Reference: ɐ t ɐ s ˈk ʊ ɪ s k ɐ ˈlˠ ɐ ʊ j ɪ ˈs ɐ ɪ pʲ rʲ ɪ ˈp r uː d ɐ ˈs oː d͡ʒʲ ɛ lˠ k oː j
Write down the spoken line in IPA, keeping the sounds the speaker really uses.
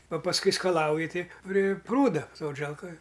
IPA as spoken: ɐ p ɐ s ˈk ʊ ɪ s k ɐ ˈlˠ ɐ ʊ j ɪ ˈt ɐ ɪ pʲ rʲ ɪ ˈp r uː d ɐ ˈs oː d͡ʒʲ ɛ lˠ k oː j